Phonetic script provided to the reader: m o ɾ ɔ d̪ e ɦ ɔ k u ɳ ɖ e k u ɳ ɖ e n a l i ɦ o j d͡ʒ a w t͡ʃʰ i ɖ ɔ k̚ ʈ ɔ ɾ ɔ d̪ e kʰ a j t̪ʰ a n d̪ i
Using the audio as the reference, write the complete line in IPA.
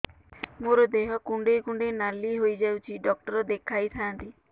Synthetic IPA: m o ɾ ɔ d̪ e ɦ ɔ k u ɳ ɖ e k u ɳ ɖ e n a l i ɦ o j d͡ʒ a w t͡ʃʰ i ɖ ɔ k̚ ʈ ɔ ɾ ɔ d̪ e kʰ a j t̪ʰ a n t̪ i